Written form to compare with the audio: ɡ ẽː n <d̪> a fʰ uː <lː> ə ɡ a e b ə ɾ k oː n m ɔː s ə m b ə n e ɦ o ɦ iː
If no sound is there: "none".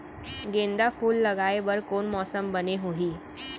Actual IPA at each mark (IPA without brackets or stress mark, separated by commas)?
d̪, lː